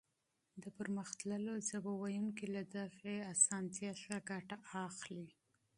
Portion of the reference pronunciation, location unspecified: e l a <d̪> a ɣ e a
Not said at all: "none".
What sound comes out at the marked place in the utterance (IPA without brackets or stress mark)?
d̪